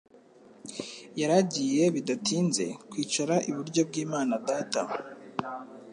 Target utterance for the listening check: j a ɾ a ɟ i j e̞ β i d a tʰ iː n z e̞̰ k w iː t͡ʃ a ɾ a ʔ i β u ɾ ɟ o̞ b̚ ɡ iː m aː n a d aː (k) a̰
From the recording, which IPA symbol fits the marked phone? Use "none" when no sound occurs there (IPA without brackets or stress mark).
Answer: t